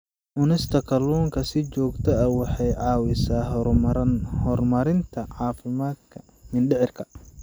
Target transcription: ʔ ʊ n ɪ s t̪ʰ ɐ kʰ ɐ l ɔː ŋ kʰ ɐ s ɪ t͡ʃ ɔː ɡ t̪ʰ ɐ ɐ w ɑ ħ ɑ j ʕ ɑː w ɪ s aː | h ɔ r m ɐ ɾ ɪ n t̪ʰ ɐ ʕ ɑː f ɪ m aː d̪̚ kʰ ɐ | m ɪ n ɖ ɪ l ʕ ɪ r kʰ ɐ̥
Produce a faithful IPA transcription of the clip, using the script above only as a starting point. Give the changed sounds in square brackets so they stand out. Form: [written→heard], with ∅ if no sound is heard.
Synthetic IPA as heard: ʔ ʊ n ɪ s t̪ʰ ɐ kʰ ɐ l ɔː ŋ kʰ ɐ s ɪ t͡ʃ ɔː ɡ t̪ʰ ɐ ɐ w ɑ ħ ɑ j ʕ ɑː w ɪ s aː | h ɔ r m ɐ ɾ ɪ n t̪ʰ ɐ ʕ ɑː f ɪ m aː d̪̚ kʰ ɐ | m ɪ n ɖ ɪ [l→∅] ʕ ɪ r kʰ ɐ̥